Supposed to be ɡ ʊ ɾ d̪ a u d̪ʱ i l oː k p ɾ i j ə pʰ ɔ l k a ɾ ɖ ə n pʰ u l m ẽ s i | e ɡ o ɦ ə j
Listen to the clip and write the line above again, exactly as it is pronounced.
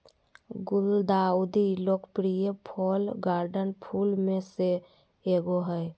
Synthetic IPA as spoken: ɡ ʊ l d̪ a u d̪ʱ i l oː k p ɾ i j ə pʰ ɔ l ɡ a ɾ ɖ ə n pʰ u l m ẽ s e | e ɡ o ɦ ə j